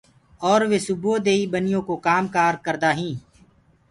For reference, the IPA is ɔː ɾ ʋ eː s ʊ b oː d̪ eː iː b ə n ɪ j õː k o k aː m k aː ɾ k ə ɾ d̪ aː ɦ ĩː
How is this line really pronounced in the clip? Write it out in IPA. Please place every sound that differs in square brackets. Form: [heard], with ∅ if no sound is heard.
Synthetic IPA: ɔː ɾ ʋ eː s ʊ b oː d̪ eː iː b ə n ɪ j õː k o k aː m k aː ɾ k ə ɾ d̪ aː ɦ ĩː